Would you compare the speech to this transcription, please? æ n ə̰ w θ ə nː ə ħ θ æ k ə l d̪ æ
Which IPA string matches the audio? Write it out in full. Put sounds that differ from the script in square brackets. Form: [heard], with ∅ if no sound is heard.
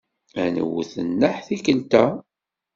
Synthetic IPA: æ n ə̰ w θ ə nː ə ħ θ [i] k ə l [t̪] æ